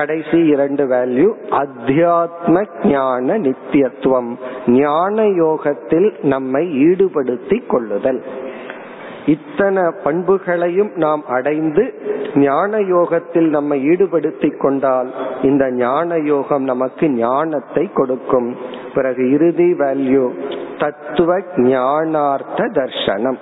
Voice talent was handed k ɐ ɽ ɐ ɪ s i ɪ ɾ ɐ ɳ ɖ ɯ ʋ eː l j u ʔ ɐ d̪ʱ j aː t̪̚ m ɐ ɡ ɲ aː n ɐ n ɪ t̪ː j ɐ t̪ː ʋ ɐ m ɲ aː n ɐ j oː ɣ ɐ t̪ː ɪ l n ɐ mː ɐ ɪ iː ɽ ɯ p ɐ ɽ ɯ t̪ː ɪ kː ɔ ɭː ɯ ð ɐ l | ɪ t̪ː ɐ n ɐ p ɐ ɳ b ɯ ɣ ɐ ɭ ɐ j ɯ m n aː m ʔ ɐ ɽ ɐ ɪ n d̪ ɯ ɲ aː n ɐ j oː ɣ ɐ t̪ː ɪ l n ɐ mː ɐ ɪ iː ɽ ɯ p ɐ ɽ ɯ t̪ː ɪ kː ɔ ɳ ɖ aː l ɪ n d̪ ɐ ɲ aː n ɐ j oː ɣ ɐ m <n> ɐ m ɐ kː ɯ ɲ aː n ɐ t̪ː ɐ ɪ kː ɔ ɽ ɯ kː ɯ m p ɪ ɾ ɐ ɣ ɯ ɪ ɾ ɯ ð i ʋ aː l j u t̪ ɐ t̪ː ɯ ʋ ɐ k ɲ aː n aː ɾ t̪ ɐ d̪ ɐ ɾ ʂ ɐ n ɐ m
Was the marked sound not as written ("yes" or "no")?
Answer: no